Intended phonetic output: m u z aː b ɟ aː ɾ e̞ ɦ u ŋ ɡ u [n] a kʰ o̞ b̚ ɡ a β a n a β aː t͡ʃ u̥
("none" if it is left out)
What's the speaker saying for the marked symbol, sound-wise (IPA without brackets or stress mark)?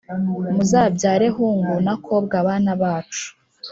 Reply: n